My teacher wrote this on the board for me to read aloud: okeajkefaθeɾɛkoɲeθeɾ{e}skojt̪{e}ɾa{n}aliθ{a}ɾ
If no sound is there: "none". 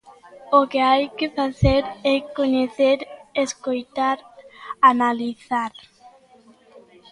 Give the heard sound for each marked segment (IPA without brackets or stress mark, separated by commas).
e, a, n, a